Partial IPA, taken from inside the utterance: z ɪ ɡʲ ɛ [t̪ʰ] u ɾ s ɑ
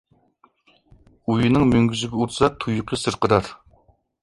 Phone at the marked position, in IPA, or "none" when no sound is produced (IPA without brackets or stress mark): none